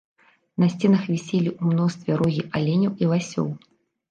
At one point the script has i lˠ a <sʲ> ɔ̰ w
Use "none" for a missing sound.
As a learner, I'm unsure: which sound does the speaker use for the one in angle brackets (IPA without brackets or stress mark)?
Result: sʲ